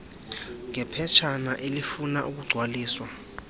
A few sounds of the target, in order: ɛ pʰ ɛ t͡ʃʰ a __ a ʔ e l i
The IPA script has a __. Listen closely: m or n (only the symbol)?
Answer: n